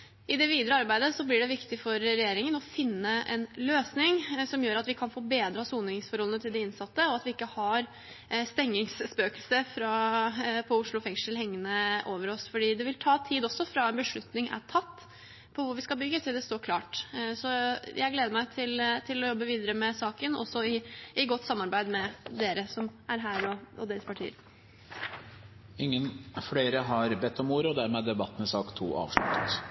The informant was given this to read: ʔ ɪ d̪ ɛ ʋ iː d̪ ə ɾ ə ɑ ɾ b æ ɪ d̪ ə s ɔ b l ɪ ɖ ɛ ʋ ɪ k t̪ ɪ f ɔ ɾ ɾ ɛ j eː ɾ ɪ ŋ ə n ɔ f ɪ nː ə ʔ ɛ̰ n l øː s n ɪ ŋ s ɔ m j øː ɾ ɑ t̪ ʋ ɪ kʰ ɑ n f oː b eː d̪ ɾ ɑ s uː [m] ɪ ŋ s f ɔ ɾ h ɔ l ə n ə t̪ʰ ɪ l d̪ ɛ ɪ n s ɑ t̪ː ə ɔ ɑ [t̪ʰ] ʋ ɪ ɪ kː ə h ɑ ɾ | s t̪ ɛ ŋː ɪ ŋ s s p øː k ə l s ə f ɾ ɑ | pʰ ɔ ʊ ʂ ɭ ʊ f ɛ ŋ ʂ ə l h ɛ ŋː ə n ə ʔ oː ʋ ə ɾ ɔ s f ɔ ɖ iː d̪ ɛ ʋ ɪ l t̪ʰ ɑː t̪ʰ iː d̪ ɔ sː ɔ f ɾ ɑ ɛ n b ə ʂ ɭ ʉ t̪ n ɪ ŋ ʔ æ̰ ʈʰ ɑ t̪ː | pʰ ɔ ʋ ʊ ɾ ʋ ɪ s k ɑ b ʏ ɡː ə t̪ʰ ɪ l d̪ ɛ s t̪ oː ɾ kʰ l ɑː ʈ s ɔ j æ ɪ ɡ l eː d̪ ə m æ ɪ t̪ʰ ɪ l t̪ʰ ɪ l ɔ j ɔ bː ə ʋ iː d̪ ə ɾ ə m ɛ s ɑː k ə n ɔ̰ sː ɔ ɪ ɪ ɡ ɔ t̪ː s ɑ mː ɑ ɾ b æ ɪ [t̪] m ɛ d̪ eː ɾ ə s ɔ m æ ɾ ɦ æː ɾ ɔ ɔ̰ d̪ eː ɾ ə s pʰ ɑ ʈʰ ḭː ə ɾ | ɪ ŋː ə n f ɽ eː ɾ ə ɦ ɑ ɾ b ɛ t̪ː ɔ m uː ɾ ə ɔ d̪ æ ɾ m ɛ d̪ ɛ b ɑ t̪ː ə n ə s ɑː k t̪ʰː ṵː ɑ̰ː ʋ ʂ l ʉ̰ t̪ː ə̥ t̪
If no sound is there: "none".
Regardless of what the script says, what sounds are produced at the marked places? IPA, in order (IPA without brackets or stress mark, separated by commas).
n, t̪, d̪